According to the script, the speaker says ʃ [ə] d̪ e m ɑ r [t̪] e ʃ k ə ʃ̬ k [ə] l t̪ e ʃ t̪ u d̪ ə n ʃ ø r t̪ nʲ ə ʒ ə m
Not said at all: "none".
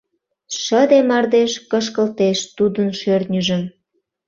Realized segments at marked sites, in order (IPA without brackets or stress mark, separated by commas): ə, d̪, ə